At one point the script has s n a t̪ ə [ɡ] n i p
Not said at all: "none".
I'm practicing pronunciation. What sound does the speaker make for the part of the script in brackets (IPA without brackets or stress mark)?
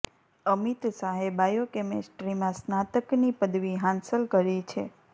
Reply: k